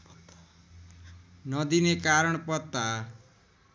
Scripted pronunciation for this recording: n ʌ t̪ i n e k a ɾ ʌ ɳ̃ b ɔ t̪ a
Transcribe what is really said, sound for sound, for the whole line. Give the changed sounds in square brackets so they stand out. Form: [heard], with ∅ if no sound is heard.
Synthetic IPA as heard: n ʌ [d̪] i n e k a ɾ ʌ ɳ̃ [p] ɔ t̪ a